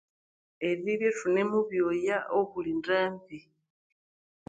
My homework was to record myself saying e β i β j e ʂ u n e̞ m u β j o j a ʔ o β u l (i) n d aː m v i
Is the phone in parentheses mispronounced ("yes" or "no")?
no